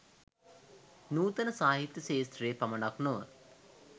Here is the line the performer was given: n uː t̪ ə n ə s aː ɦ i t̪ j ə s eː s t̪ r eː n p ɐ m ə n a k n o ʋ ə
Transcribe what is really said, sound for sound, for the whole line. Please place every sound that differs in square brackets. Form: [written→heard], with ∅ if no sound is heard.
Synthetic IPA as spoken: n uː t̪ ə n ə s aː ɦ i t̪ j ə s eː s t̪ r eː [n→∅] p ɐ m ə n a k n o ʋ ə